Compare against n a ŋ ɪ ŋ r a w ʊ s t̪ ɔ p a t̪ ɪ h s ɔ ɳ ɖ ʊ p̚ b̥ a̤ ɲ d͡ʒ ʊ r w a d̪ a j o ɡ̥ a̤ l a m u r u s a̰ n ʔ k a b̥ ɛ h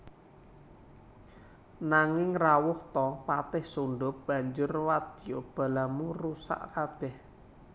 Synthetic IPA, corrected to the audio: n a ŋ ɪ ŋ r a w ʊ h t̪ ɔ p a t̪ ɪ h s u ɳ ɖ ʊ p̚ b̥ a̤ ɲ d͡ʒ ʊ r w a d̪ i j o b̥ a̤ l a m u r u s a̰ ʔ k a b̥ ɛ h